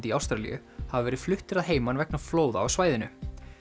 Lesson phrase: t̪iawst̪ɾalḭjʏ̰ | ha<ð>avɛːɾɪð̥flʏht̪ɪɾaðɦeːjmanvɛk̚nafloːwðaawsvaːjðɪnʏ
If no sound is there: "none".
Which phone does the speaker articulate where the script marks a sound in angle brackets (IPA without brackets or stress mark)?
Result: v